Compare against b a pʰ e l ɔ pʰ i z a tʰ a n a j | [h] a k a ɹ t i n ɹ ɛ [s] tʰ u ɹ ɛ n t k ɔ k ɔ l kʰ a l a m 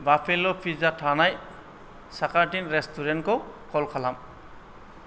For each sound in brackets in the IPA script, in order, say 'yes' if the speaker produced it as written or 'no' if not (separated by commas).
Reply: no, yes